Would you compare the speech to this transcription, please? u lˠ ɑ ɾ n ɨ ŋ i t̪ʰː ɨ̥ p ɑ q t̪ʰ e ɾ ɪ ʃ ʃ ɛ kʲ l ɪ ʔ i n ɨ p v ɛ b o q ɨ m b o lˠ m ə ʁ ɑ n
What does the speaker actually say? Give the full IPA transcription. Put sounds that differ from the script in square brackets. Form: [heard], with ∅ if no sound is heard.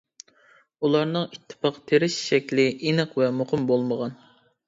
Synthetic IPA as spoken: u lˠ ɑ ɾ n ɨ ŋ i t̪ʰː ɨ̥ p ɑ q t̪ʰ e ɾ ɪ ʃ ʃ ɛ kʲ l ɪ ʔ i n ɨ [q] v ɛ [m] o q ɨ m b o lˠ m ə ʁ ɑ n